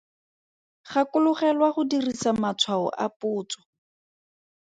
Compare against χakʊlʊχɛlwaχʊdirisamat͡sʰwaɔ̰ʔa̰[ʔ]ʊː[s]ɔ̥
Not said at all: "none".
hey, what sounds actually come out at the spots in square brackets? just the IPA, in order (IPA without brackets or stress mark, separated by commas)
p, t͡s